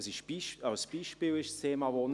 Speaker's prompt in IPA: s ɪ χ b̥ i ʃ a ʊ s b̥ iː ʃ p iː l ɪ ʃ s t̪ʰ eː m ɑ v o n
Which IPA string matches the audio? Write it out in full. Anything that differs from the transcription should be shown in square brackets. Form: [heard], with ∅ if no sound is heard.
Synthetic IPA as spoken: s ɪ [ʃ] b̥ i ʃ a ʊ s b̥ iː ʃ p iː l ɪ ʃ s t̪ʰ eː m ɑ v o n